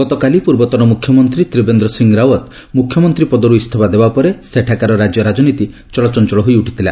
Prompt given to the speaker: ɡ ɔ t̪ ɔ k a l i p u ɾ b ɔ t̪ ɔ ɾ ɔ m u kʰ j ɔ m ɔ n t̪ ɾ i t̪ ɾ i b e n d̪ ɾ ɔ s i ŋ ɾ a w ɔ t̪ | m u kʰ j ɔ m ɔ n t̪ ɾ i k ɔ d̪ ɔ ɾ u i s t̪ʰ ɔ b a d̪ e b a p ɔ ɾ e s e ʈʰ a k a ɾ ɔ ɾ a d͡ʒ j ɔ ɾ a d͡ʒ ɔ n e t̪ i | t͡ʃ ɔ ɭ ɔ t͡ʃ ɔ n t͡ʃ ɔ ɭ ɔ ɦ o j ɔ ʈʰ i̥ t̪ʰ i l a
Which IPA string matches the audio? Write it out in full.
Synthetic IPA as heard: ɡ ɔ t̪ ɔ k a l i p u ɾ b ɔ t̪ ɔ ɾ ɔ m u kʰ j ɔ m ɔ n t̪ ɾ i t̪ ɾ i b e n d̪ ɾ ɔ s i ŋ ɾ a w ɔ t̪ | m u kʰ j ɔ m ɔ n t̪ ɾ i p ɔ d̪ ɔ ɾ u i s t̪ʰ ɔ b a d̪ e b a p ɔ ɾ e s e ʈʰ a k a ɾ ɔ ɾ a d͡ʒ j ɔ ɾ a d͡ʒ ɔ n i t̪ i | t͡ʃ ɔ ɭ ɔ t͡ʃ ɔ n t͡ʃ ɔ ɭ ɔ ɦ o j u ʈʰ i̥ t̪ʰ i l a